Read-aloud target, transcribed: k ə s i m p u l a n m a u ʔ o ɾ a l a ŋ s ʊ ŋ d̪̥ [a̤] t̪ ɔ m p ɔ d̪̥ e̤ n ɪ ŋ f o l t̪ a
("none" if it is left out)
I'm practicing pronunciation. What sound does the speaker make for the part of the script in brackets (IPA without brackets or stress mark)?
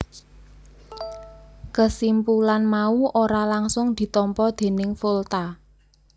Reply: i̤